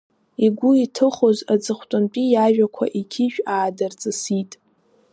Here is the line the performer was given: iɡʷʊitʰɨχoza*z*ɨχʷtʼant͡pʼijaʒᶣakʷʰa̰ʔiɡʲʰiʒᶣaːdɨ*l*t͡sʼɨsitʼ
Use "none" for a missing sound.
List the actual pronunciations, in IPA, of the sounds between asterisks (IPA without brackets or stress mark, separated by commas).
d͡z, r